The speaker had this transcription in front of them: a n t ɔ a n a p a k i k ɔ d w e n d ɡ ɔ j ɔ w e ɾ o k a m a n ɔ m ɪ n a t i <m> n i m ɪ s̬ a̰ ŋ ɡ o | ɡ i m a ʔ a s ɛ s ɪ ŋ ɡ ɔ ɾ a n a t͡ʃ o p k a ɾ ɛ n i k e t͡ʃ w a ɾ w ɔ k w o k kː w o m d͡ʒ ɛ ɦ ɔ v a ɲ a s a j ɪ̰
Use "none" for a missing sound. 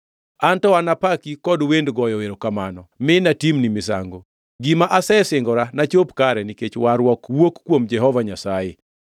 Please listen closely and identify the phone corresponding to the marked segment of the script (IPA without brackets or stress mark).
m